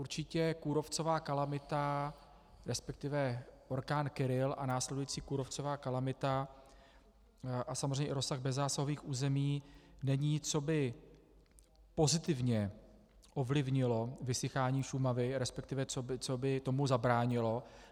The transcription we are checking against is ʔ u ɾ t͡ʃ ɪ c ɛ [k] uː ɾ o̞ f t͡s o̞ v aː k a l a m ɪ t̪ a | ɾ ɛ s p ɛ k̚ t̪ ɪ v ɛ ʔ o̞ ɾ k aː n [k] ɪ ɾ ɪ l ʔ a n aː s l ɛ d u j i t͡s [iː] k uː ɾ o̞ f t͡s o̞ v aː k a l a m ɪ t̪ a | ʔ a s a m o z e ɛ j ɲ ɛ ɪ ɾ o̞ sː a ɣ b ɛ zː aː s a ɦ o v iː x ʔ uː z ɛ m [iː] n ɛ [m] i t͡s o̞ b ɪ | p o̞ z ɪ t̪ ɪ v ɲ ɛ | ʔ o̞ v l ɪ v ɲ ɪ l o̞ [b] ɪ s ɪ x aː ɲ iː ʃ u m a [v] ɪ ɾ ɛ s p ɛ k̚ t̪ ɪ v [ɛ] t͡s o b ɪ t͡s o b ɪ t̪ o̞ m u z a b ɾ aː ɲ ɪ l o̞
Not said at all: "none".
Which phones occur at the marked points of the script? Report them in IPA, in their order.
k, k, iː, iː, ɲ, v, v, ɛ

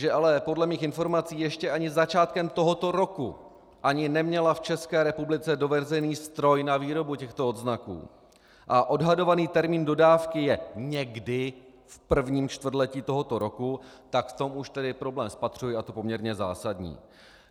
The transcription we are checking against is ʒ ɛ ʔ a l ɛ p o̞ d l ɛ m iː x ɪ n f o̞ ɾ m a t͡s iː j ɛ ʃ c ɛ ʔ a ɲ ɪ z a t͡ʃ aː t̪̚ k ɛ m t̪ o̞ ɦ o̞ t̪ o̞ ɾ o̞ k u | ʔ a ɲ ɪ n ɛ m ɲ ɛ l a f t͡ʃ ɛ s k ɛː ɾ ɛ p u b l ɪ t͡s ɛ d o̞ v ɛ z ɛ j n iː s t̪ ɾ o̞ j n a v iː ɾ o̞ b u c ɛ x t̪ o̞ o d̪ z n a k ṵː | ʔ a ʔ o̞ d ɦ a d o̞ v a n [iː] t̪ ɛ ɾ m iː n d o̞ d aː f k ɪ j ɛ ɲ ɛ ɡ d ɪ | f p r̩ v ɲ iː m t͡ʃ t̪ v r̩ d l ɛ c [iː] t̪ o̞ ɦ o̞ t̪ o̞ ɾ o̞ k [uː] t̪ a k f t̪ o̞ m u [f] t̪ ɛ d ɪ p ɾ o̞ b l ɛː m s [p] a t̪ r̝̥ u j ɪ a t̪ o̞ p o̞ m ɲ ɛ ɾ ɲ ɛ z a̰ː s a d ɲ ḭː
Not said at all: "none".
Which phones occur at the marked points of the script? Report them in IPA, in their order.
iː, iː, u, ʃ, p

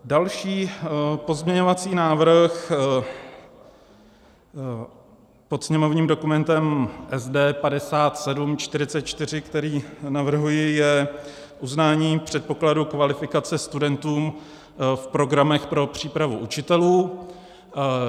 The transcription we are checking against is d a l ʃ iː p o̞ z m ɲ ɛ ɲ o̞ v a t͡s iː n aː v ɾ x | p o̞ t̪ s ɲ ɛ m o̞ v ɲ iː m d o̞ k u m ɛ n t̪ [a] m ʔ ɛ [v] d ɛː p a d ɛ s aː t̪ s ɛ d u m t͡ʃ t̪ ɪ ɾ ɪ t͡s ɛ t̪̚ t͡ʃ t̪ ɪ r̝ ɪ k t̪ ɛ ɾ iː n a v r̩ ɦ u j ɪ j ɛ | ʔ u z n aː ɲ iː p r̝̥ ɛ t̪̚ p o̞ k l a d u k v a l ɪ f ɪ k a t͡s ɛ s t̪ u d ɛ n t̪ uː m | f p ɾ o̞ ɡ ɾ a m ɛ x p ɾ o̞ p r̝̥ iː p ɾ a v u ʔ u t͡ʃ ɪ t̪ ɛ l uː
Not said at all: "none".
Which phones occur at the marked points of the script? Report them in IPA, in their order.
ɛ, z

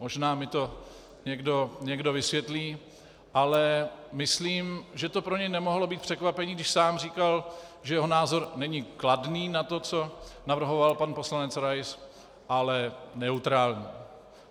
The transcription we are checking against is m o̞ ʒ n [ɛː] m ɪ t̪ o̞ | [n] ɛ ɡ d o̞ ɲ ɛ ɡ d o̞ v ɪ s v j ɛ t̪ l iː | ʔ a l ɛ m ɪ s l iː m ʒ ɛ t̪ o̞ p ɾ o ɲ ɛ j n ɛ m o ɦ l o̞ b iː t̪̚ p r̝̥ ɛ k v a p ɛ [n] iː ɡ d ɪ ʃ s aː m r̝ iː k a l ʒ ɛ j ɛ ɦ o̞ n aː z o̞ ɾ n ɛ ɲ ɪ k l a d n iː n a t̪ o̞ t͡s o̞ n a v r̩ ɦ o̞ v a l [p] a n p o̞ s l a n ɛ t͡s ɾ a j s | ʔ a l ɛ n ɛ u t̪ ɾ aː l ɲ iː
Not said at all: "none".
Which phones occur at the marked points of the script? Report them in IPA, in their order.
aː, ɲ, ɲ, p

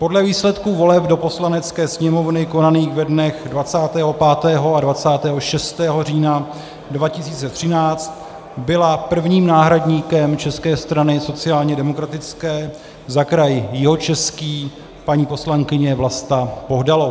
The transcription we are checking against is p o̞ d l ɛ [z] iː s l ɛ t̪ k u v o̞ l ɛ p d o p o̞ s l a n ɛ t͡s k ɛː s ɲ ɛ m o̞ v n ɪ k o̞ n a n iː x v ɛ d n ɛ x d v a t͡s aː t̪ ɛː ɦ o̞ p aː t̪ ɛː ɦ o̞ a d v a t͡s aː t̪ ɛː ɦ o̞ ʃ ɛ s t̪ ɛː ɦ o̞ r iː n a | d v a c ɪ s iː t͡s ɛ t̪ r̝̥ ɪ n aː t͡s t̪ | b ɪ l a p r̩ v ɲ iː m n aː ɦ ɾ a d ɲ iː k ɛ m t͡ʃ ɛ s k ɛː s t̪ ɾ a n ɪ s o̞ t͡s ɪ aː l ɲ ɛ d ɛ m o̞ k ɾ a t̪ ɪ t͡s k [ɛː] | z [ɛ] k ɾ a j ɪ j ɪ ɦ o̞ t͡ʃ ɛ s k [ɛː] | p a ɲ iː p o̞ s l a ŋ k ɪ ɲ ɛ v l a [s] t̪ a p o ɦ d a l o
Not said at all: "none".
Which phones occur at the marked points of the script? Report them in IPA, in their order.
v, ɛː, a, iː, s

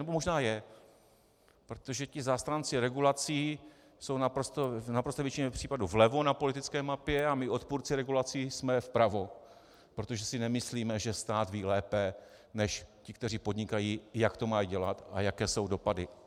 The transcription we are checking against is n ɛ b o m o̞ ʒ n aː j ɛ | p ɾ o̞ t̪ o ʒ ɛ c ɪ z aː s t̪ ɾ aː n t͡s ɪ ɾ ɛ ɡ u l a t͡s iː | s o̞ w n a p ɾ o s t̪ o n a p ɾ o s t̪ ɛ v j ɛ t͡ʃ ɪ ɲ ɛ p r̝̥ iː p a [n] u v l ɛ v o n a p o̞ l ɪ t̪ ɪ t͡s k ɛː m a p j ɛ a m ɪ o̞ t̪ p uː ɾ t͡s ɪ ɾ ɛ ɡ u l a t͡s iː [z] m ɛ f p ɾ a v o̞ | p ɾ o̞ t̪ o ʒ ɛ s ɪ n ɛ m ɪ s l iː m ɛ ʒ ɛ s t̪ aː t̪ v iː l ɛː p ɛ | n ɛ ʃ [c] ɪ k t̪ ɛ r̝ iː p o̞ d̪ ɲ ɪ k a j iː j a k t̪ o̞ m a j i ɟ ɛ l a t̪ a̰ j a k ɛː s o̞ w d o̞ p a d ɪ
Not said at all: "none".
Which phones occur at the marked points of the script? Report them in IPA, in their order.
d, s, c

